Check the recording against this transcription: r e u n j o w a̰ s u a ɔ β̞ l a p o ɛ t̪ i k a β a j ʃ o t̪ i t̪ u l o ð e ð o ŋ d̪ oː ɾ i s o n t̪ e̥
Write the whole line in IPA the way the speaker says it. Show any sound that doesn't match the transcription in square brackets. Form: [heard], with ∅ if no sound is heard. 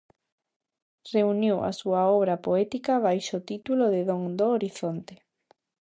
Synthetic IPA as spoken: r e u n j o w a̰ s u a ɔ β̞ [ɾ] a p o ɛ t̪ i k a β a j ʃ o t̪ i t̪ u l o ð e ð o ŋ d̪ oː ɾ i [θ] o n t̪ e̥